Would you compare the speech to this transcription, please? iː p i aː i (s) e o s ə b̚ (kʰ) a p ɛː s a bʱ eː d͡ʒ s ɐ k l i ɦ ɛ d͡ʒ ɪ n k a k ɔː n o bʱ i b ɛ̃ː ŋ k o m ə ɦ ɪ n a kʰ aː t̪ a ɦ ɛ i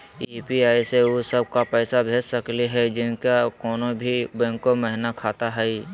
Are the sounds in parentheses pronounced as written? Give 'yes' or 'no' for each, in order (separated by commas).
yes, no